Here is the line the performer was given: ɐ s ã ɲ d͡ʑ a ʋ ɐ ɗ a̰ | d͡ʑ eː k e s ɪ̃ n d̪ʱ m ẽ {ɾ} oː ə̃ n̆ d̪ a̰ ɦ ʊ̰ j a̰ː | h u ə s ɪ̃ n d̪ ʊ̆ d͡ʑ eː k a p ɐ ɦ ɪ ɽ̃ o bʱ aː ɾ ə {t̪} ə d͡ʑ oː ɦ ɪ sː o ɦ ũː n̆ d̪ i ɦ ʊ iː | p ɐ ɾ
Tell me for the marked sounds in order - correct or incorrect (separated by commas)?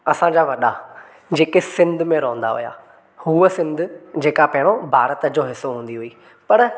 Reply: correct, correct